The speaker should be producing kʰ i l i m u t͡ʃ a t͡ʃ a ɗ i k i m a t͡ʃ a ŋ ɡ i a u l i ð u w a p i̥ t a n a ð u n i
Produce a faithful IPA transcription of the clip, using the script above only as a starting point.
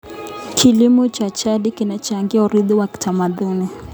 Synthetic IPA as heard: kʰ i l i m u t͡ʃ a t͡ʃ a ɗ i k i n a t͡ʃ a ŋ ɡ i a u ɾ i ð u w a k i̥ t a m a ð u n i